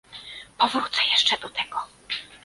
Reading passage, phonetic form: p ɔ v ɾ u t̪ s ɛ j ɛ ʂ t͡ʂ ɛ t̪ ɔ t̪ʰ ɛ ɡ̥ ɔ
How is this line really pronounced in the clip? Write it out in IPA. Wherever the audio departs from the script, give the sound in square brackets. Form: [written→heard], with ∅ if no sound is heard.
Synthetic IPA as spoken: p ɔ v ɾ u t̪ s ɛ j ɛ ʂ t͡ʂ ɛ [t̪→d̪] ɔ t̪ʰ ɛ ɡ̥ ɔ